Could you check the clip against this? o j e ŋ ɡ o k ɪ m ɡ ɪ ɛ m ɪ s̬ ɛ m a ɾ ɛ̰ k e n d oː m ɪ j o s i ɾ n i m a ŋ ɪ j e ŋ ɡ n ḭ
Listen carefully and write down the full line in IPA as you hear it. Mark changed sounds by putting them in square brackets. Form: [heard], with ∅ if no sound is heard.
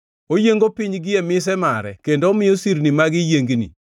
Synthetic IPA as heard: o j e ŋ ɡ o [p] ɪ [ɲ] ɡ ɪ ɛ m ɪ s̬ ɛ m a ɾ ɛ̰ k e n d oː m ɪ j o s i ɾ n i m a [ɡ] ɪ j e ŋ ɡ n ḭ